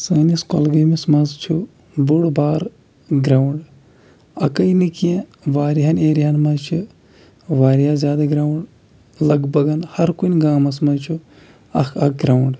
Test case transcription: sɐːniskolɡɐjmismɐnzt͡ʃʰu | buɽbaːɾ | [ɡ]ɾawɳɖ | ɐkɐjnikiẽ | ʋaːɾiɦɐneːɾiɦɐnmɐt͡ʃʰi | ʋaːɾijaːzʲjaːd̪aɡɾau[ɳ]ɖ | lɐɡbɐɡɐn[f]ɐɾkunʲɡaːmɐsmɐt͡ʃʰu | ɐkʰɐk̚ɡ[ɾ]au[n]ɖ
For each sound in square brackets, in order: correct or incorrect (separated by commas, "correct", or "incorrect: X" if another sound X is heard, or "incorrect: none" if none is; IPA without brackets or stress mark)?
correct, correct, incorrect: h, correct, incorrect: ɳ